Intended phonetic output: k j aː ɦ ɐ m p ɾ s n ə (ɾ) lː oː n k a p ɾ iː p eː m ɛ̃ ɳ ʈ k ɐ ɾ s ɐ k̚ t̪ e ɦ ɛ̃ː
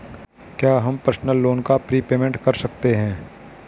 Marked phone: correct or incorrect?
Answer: incorrect: none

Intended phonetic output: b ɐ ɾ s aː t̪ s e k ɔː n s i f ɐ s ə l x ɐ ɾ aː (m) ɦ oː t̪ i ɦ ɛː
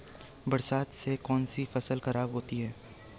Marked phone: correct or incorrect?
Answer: incorrect: b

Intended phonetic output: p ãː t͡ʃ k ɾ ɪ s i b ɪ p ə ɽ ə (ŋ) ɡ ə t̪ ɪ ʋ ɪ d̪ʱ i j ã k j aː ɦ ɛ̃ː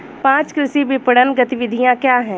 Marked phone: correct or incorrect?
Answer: incorrect: n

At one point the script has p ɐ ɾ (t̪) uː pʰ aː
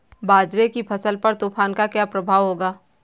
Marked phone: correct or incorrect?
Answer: correct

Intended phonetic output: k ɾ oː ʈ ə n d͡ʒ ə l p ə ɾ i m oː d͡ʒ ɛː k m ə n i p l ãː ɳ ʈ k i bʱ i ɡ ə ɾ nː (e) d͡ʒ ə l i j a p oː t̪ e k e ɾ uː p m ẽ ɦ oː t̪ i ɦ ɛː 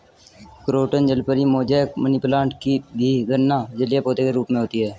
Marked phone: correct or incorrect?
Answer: incorrect: a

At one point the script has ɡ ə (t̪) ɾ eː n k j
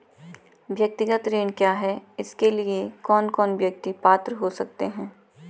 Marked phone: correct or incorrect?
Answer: correct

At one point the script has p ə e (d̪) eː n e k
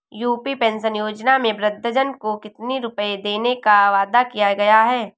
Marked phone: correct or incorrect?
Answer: correct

